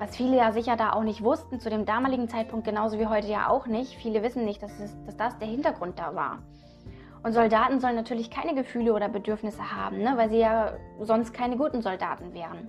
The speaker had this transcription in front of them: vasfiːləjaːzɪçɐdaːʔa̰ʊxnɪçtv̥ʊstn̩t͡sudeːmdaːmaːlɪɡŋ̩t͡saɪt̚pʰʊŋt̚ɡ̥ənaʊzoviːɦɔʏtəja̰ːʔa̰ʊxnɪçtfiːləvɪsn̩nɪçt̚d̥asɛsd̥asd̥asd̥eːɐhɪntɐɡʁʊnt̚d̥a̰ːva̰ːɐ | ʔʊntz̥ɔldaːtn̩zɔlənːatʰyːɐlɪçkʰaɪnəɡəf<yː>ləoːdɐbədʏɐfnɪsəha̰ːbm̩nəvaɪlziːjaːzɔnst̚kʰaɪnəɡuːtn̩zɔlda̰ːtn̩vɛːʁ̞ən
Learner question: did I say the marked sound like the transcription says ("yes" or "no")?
yes